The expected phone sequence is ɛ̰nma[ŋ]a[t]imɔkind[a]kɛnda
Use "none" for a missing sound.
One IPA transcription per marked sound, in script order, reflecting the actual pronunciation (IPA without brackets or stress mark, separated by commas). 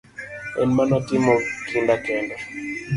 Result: n, t, a